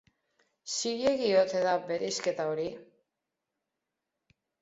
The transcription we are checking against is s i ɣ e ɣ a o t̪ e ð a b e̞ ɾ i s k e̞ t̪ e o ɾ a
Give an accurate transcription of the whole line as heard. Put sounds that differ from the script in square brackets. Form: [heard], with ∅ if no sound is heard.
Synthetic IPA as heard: s i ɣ e ɣ [i] o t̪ e ð a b e̞ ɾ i s k e̞ t̪ [a] o ɾ [i]